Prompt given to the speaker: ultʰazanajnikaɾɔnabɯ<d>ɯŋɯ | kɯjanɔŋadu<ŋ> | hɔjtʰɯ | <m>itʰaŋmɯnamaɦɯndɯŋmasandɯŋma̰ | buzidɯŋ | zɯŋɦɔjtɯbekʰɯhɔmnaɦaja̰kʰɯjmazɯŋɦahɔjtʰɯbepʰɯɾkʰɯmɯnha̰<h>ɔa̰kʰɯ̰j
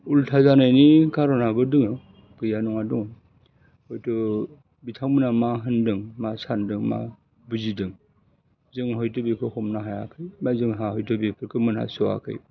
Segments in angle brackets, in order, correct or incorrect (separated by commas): correct, correct, incorrect, incorrect